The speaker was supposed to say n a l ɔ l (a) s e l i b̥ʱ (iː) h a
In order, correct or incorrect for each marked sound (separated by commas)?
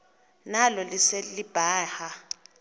incorrect, incorrect